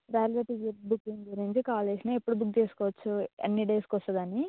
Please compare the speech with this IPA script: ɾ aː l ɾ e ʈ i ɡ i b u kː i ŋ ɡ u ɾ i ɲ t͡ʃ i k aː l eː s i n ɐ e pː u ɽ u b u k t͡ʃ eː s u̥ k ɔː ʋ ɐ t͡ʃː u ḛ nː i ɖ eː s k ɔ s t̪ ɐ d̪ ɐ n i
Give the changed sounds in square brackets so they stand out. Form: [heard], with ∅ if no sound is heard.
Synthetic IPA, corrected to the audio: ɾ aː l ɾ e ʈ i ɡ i b u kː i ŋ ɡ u ɾ i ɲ t͡ʃ i k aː l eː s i n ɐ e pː u ɽ u b u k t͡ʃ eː s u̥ k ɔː ʋ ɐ t͡ʃː u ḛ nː i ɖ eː s k ɔ s t̪ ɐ d̪ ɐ n i